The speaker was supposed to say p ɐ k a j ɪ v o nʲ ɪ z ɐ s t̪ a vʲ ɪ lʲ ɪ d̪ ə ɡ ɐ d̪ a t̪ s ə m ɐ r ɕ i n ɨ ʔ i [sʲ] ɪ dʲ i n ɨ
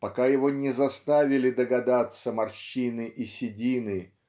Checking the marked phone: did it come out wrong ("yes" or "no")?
no